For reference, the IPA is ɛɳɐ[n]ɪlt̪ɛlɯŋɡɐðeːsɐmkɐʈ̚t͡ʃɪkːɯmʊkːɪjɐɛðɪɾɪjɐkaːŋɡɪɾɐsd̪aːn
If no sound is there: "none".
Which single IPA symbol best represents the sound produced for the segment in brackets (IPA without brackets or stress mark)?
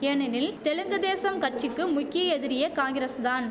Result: n